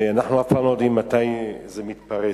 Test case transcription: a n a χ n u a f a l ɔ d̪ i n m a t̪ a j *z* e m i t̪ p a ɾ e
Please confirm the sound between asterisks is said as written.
yes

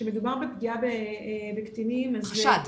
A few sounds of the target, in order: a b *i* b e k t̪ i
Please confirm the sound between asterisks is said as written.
no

